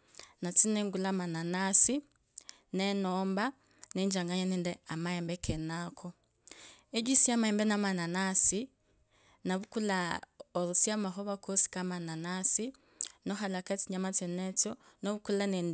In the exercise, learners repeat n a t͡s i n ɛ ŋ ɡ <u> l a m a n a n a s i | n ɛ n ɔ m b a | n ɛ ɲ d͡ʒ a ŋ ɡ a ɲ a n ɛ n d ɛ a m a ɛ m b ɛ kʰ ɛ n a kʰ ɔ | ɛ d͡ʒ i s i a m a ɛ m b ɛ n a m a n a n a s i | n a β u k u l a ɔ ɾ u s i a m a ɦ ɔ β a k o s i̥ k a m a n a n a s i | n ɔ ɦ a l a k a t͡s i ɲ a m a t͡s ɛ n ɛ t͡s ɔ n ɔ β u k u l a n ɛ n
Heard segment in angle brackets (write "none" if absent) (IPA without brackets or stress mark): u